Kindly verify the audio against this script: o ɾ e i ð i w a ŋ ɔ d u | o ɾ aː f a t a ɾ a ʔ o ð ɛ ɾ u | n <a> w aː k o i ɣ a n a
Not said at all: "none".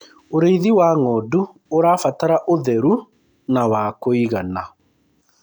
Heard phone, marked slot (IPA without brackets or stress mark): a